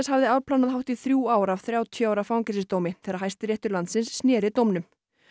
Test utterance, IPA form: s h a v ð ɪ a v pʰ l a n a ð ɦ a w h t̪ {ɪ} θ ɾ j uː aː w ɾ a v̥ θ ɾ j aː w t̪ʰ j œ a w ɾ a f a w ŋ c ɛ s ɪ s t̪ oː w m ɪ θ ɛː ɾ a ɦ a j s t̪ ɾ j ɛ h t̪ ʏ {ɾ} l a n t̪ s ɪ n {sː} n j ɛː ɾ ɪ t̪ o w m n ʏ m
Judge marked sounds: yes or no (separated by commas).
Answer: no, yes, yes